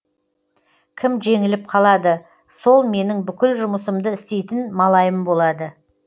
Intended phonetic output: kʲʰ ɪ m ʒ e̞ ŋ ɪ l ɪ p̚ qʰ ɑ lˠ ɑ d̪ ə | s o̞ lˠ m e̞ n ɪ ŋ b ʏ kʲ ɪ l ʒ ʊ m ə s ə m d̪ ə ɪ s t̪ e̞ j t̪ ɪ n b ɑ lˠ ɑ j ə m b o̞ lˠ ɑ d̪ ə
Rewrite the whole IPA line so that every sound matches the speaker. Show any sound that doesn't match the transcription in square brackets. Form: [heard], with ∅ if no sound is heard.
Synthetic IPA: kʲʰ ɪ m ʒ e̞ ŋ ɪ l ɪ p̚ qʰ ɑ lˠ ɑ d̪ ə | s o̞ lˠ m e̞ n ɪ ŋ b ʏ kʲ ɪ l ʒ ʊ m ə s ə m d̪ ə ɪ s t̪ e̞ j t̪ ɪ n [m] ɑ lˠ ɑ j ə m b o̞ lˠ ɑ d̪ ə